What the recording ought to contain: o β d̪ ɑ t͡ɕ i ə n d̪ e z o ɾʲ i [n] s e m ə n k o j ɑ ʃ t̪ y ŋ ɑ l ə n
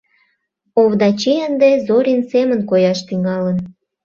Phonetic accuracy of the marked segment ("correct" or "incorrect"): correct